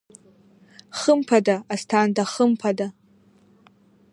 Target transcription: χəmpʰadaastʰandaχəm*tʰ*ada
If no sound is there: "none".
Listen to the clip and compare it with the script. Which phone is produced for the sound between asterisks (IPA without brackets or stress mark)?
pʰ